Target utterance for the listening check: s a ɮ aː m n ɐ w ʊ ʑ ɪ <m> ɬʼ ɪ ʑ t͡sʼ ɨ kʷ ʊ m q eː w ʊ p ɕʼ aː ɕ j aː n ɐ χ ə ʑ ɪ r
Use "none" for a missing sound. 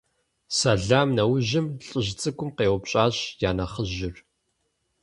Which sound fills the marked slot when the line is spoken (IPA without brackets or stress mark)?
m